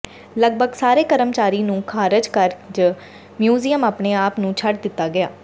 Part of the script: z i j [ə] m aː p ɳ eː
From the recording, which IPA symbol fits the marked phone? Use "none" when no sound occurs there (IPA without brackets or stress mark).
ə